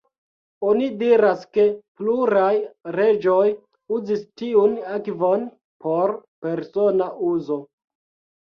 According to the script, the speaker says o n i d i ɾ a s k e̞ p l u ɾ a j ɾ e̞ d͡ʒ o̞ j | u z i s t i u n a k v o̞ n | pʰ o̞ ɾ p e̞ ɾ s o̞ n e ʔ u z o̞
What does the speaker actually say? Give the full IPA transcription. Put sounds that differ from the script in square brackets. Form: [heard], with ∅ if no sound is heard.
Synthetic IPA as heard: o n i d i ɾ a s k e̞ p l u ɾ a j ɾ e̞ d͡ʒ o̞ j | u z i s t i u n a k v o̞ n | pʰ o̞ ɾ p e̞ ɾ s o̞ n [a] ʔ u z o̞